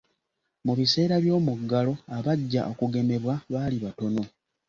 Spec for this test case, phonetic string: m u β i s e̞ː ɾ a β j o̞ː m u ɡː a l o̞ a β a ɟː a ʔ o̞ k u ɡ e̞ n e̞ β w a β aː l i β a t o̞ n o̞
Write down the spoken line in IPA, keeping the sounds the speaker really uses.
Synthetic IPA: m u β i s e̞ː ɾ a β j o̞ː m u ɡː a l o̞ a β a ɟː a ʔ o̞ k u ɡ e̞ m e̞ β w a β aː l i β a t o̞ n o̞